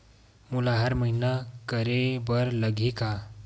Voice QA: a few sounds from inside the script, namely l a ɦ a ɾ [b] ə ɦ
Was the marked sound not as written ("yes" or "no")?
yes